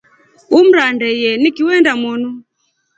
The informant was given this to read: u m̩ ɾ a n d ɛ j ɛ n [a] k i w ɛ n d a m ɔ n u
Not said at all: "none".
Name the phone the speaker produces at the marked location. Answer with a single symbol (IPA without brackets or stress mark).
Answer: i